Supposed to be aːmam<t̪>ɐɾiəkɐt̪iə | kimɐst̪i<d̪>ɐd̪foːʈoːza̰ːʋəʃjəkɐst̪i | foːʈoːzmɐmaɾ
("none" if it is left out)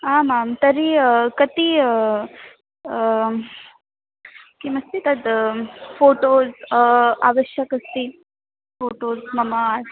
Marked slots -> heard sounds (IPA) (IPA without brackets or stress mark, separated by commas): t̪, t̪